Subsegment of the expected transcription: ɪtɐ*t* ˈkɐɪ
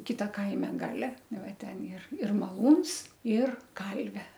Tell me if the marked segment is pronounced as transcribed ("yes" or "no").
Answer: no